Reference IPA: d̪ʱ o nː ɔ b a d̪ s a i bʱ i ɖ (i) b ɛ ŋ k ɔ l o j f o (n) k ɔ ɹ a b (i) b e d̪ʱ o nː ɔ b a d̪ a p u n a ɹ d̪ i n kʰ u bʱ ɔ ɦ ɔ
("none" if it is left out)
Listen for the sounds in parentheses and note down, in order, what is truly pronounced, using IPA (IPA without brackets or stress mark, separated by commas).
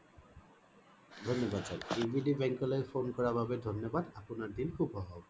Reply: i, n, a